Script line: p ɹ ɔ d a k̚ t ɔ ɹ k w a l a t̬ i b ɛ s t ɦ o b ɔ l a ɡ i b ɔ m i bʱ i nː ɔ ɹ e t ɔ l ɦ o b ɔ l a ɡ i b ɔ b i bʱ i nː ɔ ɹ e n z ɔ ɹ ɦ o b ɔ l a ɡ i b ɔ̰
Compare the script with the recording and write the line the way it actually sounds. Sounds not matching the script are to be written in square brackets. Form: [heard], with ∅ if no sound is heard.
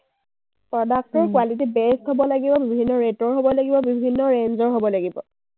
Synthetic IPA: p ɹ ɔ d a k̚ t ɔ ɹ k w a l [i] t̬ i b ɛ s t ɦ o b ɔ l a ɡ i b ɔ [b] i bʱ i nː ɔ ɹ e t ɔ [ɹ] ɦ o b ɔ l a ɡ i b ɔ b i bʱ i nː ɔ ɹ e n z ɔ ɹ ɦ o b ɔ l a ɡ i b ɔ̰